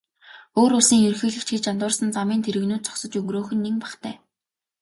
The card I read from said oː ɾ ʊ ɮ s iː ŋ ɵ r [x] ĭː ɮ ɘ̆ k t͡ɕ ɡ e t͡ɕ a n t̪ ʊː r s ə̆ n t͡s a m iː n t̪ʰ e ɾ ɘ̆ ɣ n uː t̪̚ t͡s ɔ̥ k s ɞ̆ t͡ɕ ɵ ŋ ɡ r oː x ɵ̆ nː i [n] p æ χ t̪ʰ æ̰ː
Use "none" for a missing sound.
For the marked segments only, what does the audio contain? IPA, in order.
x, ŋ

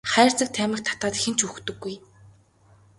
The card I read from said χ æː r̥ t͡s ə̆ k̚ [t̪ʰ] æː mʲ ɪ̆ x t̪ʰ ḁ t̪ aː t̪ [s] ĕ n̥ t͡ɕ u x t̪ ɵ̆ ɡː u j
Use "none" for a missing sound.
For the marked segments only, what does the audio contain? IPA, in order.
t̪ʰ, x

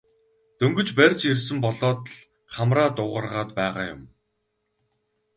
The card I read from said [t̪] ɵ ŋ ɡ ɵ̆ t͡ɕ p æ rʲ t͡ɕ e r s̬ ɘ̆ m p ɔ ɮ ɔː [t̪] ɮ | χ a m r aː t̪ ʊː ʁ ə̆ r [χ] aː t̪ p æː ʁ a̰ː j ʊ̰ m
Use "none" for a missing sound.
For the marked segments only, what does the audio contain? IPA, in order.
t̪, t̪, ʁ

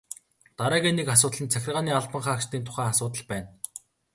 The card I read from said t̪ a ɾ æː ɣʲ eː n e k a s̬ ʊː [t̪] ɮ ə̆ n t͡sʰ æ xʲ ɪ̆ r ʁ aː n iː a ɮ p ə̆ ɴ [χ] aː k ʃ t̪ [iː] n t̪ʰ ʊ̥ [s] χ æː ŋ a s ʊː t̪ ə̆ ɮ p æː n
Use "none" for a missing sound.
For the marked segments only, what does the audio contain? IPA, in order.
t̪, χ, iː, none

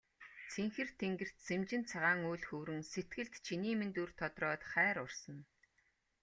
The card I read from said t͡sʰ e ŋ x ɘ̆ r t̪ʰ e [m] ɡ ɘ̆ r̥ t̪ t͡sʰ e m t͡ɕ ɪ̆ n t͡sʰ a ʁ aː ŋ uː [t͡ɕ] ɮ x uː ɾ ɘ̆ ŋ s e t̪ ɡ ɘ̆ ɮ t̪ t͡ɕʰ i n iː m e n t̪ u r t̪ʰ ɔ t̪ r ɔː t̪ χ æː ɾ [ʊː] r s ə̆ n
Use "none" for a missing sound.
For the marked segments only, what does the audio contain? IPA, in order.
ŋ, none, ʊ

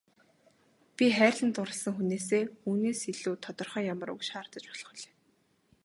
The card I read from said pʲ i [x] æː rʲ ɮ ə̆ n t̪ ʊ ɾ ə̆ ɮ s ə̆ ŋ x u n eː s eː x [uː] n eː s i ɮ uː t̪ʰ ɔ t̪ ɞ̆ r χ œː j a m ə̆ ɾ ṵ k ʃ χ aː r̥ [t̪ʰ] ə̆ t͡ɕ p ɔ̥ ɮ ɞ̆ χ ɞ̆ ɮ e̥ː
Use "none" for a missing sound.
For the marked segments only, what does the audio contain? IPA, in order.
χ, uː, t̪

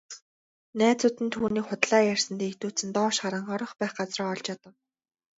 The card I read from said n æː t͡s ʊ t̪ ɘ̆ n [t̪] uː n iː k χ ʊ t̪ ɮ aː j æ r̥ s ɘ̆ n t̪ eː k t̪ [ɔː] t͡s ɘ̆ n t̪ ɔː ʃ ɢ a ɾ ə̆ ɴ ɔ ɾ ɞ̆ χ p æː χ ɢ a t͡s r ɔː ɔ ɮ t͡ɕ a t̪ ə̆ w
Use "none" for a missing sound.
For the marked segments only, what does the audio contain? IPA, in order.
t̪ʰ, uː

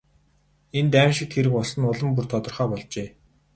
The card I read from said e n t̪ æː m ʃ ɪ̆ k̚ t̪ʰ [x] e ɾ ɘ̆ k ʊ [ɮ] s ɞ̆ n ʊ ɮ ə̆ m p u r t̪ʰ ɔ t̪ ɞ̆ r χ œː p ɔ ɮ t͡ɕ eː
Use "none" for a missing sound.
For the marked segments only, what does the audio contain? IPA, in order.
x, ɮ

